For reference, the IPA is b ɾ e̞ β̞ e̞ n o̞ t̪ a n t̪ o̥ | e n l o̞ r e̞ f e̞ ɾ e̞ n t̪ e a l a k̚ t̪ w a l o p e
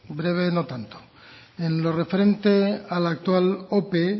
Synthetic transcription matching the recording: b ɾ e̞ β̞ e̞ n o̞ t̪ a n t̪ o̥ | e n l o̞ r e̞ f e̞ ɾ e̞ n t̪ e a l a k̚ t̪ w a l o p e